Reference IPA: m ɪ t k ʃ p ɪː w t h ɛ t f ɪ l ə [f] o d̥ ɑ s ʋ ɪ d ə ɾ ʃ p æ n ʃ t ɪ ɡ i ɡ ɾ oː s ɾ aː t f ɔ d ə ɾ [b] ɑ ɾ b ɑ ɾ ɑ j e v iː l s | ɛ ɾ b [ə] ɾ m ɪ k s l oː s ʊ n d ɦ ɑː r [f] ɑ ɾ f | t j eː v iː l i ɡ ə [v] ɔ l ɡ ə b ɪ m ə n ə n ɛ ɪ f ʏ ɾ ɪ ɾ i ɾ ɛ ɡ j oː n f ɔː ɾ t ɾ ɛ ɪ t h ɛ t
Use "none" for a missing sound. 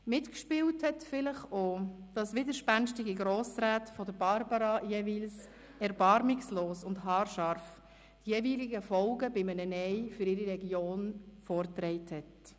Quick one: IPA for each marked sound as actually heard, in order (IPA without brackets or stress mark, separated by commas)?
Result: χ, b, ɑ, ʃ, f